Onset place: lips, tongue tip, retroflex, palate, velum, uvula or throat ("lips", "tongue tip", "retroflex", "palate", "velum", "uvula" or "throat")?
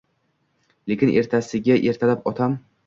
tongue tip